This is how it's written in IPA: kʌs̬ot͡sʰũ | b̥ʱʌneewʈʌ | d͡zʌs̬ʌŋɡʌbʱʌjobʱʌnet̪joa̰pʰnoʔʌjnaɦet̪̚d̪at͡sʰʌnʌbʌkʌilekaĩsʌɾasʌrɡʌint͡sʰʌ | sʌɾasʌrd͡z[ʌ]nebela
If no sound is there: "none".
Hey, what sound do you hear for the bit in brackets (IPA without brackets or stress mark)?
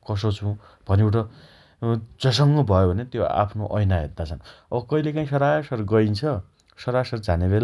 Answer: a